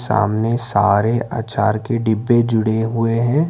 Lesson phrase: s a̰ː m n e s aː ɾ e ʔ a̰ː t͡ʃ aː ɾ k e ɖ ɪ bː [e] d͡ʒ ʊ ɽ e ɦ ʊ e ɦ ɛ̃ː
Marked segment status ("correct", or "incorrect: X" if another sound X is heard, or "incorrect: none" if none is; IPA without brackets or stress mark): correct